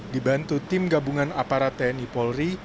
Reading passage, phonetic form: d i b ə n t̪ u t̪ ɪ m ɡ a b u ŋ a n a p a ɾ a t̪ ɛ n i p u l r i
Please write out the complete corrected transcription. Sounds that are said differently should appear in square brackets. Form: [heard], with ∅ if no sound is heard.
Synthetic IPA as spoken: d i b [a] n t̪ u t̪ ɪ m ɡ a b u ŋ a n a p a ɾ a t̪ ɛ n i p [ɔ] l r i